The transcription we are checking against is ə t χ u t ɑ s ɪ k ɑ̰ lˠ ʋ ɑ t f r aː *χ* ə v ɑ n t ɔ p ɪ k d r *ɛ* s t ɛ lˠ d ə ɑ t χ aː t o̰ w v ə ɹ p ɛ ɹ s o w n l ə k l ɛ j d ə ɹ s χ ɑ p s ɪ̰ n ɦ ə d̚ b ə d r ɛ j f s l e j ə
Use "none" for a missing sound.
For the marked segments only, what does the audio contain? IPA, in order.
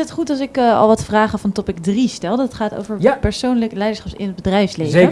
χ, i

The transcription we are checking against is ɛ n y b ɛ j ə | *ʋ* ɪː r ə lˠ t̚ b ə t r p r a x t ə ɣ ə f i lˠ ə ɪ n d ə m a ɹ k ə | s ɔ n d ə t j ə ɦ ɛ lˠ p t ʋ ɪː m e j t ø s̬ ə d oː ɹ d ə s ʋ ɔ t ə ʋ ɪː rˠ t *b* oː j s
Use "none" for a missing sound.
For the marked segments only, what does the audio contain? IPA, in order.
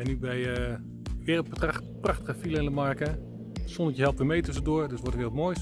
ʋ, m

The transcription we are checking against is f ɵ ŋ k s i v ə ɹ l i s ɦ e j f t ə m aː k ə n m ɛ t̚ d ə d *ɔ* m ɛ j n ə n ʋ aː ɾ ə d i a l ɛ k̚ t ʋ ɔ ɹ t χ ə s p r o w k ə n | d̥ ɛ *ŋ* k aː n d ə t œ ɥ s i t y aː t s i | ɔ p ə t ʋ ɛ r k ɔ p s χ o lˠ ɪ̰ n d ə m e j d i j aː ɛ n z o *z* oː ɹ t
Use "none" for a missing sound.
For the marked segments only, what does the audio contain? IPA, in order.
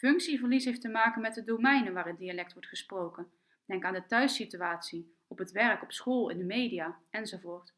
o, ŋ, v

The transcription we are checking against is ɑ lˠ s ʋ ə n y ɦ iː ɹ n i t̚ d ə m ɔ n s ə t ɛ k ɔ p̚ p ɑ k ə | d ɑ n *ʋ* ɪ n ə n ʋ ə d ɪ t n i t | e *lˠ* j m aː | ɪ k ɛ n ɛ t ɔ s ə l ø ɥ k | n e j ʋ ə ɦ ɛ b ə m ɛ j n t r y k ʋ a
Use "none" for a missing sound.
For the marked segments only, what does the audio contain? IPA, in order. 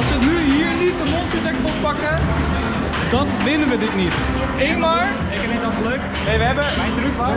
ʋ, none

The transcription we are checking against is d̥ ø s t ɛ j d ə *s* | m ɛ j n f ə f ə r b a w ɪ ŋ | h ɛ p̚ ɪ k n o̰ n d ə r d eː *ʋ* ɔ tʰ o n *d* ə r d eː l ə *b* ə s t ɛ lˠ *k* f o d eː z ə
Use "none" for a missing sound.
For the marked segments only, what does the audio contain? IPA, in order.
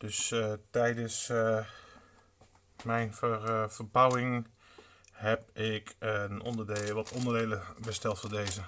s, ʋ, d, b, t

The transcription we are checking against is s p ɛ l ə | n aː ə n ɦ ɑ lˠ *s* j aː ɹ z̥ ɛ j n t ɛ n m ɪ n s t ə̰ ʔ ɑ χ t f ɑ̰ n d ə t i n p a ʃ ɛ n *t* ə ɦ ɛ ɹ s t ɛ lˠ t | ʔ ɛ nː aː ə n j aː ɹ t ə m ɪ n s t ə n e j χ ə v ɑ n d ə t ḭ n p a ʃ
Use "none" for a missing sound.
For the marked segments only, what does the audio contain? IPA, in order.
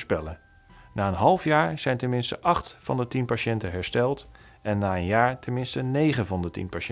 f, t

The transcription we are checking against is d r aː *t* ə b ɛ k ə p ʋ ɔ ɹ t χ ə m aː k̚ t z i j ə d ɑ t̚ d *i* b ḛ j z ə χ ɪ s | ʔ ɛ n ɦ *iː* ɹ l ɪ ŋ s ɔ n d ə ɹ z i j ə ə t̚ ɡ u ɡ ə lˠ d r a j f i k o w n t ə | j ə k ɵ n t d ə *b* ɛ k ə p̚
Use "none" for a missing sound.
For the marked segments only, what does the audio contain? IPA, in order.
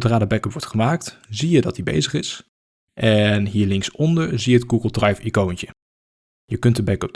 d, i, iː, b

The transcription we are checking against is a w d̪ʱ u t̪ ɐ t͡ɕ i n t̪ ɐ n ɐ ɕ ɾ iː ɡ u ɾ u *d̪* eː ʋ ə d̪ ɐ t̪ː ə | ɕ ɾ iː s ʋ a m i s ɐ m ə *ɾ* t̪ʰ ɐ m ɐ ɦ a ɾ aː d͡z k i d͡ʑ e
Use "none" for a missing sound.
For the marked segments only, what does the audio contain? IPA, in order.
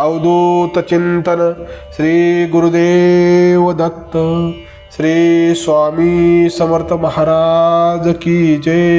d̪, ɾ

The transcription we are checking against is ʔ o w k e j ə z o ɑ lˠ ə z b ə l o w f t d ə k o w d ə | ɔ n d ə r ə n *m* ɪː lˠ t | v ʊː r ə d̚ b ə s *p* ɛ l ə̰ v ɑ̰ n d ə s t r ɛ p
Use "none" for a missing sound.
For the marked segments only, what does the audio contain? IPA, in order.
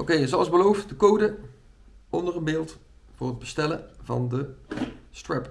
b, t

